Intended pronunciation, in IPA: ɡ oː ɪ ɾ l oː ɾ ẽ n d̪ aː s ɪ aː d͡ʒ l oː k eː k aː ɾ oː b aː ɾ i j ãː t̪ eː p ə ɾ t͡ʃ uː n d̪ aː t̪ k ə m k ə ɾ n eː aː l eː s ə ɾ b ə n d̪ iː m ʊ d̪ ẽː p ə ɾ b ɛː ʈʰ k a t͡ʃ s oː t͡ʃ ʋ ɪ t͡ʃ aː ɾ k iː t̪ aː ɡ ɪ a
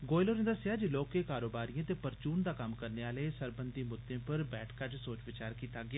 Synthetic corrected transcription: ɡ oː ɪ l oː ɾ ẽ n d̪ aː s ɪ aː d͡ʒ l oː k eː k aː ɾ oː b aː ɾ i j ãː t̪ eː p ə ɾ t͡ʃ uː n d̪ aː k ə m k ə ɾ n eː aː l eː s ə ɾ b ə n d̪ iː m ʊ d̪ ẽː p ə ɾ b ɛː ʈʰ k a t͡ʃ s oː t͡ʃ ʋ ɪ t͡ʃ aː ɾ k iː t̪ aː ɡ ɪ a